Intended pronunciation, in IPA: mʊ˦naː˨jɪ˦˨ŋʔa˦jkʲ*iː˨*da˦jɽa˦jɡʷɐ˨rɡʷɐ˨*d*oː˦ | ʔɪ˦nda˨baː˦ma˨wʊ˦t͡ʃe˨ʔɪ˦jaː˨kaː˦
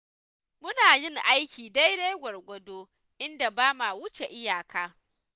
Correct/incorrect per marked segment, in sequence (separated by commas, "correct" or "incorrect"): correct, correct